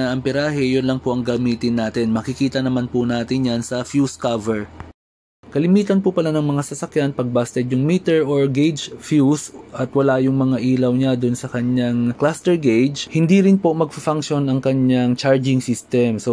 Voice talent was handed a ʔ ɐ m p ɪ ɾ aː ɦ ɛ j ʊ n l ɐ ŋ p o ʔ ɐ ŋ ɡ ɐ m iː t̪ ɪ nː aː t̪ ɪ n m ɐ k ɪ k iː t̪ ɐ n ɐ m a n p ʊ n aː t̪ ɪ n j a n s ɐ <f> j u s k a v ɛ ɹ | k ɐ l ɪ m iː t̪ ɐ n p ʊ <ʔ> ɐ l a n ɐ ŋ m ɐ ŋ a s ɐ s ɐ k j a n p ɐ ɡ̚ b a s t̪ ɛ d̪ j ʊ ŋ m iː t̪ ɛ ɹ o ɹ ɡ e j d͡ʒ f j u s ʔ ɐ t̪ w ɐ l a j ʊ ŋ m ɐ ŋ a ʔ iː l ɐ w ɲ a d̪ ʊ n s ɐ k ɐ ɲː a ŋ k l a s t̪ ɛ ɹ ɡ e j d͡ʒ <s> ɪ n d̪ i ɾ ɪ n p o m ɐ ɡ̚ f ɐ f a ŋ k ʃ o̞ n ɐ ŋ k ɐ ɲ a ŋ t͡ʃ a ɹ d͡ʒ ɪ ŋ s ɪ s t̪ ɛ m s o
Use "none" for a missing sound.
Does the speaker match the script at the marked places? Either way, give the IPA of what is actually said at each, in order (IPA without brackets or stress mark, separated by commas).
f, p, h